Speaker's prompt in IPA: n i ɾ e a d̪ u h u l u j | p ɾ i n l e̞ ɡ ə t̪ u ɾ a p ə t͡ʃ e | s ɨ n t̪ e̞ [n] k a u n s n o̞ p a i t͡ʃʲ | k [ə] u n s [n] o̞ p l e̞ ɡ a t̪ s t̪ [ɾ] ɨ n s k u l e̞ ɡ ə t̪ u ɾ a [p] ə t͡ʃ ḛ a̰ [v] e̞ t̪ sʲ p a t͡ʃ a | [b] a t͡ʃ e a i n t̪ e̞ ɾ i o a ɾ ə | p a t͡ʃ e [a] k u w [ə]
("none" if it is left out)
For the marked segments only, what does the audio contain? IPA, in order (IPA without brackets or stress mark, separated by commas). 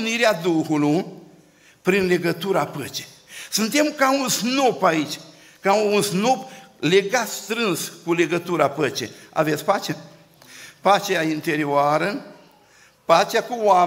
m, a, n, ɾ, p, v, p, a, a